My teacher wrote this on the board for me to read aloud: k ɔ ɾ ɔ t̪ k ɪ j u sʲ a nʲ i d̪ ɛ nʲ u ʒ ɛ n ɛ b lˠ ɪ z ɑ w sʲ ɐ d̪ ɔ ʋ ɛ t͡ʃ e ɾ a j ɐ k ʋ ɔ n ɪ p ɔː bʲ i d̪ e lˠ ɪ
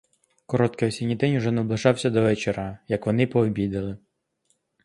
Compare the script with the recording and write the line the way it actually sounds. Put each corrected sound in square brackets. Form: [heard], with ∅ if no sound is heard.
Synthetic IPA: k ɔ ɾ ɔ t̪ k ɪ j [ɔ] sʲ [i] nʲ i d̪ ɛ nʲ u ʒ ɛ n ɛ b lˠ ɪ [ʒ] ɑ w sʲ ɐ d̪ ɔ ʋ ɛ t͡ʃ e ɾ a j ɐ k ʋ ɔ n ɪ p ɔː bʲ i d̪ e lˠ ɪ